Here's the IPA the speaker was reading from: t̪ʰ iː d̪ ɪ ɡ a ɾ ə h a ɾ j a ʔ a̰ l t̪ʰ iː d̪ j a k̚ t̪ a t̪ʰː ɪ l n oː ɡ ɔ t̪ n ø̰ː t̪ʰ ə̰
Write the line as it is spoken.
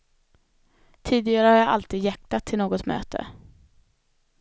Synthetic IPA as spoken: t̪ʰ iː d̪ ɪ ɡ a ɾ ə h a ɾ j a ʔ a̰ l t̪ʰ iː d̪ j a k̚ t̪ a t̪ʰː ɪ l n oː ɡ ɔ t̪ m ø̰ː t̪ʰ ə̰